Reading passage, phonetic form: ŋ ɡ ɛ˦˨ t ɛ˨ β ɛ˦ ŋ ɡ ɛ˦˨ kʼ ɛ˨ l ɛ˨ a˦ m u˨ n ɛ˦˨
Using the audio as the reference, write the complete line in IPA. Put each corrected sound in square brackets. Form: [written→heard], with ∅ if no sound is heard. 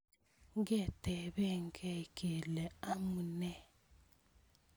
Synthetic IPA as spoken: ŋ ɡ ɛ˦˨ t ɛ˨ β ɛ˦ ŋ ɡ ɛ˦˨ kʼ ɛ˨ l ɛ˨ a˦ m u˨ n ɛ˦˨